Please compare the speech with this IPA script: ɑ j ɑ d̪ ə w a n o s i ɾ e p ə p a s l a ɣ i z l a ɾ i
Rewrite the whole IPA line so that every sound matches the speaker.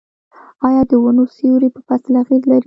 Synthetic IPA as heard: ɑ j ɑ d̪ ə w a n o s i ɾ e p ə p a s l a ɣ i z l a ɾ i